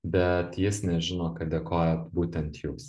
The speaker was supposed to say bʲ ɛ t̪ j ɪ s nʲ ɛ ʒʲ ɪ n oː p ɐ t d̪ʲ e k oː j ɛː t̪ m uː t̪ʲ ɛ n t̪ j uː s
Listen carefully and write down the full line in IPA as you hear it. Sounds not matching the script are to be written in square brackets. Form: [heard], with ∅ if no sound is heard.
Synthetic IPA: bʲ ɛ t̪ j ɪ s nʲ ɛ ʒʲ ɪ n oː [k] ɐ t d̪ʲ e k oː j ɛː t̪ [b] uː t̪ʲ ɛ n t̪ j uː s